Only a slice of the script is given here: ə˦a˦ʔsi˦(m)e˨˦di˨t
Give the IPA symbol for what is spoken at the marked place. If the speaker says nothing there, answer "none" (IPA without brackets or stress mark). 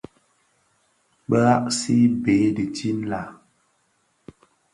b